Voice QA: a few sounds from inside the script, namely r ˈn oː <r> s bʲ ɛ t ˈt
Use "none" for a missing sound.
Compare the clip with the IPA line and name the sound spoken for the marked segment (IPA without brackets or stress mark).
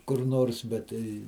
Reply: r